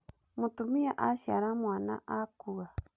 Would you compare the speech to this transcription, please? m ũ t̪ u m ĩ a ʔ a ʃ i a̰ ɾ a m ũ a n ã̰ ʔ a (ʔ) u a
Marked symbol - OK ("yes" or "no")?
no